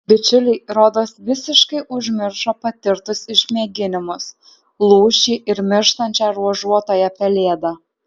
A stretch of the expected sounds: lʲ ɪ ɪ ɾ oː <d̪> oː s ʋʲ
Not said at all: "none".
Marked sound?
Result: d̪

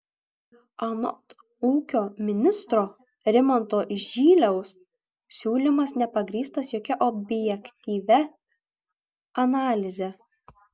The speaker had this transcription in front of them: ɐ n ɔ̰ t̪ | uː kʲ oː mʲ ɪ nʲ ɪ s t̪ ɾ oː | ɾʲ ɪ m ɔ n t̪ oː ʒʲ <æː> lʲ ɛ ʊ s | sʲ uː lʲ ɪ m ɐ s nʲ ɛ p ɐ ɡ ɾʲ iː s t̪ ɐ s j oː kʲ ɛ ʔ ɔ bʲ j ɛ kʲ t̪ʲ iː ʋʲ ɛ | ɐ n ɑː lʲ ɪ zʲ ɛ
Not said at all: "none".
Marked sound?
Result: iː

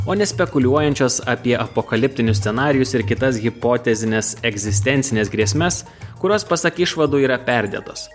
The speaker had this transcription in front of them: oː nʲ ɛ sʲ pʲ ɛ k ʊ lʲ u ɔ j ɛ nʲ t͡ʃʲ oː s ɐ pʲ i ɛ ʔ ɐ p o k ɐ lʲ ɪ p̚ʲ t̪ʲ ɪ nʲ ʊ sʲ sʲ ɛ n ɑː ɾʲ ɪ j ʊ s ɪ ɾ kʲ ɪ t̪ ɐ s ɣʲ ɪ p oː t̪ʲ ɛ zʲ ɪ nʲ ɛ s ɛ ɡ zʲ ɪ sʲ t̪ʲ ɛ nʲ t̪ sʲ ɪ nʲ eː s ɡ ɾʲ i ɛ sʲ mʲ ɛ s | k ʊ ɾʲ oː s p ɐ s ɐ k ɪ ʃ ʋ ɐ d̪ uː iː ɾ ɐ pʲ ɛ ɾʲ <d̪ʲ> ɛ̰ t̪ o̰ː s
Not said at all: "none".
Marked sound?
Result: d̪ʲ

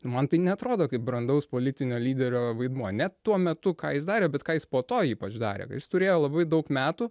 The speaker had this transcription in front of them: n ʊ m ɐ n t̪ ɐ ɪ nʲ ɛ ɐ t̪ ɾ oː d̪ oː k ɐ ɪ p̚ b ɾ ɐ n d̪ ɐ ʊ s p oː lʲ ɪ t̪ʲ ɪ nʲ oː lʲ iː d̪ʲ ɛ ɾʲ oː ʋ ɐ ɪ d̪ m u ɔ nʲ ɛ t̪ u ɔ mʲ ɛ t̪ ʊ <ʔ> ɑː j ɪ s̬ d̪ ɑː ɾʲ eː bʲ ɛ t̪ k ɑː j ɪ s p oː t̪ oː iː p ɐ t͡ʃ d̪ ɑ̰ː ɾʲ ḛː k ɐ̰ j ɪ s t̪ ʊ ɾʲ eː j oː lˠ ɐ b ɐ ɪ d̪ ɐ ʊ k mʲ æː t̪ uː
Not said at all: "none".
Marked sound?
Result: k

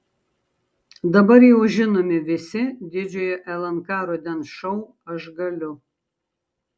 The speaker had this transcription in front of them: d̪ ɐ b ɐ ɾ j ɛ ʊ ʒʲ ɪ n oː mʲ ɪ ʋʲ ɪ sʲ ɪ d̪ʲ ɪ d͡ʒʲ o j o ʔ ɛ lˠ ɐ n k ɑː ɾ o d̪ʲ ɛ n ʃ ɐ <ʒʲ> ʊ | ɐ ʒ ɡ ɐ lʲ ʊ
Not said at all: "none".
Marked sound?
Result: none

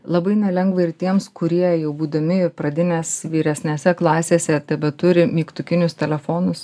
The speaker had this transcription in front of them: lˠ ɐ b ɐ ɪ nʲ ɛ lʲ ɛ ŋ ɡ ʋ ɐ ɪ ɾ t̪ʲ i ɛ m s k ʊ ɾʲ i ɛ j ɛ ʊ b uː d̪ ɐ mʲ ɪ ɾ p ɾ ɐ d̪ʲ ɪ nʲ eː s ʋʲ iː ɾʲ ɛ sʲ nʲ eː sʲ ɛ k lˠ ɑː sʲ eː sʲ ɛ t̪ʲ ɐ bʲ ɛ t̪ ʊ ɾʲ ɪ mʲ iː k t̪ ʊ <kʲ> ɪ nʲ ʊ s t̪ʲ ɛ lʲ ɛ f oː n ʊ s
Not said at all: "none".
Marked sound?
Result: kʲ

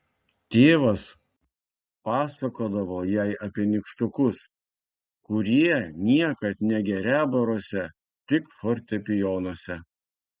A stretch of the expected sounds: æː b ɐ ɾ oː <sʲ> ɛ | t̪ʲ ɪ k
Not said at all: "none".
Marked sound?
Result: sʲ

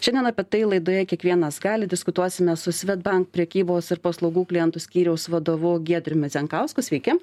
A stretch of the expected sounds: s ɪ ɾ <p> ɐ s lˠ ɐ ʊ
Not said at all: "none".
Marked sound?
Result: p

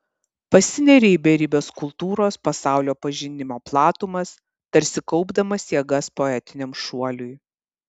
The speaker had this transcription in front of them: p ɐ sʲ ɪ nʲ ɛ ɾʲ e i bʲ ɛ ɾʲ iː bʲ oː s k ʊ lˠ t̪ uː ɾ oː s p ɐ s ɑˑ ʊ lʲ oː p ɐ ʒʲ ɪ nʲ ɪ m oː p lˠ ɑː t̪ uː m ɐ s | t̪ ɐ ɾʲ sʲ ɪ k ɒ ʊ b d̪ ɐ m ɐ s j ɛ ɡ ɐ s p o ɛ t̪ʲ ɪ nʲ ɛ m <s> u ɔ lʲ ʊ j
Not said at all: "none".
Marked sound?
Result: ʃ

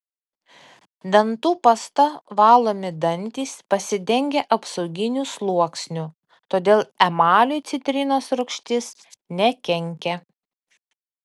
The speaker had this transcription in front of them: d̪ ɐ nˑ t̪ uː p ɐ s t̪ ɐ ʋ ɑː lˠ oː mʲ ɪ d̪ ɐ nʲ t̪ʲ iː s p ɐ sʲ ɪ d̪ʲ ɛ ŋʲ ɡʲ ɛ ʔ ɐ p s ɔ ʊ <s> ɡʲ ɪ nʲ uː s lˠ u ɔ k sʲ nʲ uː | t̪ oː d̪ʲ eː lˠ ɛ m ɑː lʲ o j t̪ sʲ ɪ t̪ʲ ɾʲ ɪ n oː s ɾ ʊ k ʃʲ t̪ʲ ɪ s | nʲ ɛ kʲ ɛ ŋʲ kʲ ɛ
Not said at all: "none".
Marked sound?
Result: none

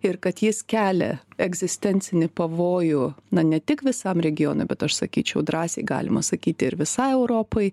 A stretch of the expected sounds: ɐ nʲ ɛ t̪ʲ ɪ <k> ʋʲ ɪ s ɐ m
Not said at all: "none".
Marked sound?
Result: k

